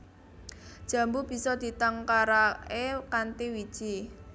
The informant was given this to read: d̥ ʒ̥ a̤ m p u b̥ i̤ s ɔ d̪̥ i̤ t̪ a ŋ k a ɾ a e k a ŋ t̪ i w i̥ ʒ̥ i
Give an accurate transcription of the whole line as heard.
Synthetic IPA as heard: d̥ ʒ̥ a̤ m b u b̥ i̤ s ɔ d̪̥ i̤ t̪ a ŋ k a ɾ a e k a n t̪ i w i̥ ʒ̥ i